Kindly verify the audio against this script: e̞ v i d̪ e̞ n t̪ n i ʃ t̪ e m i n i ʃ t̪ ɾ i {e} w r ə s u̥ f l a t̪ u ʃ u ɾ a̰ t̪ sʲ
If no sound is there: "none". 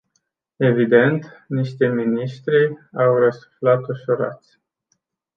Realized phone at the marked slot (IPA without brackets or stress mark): a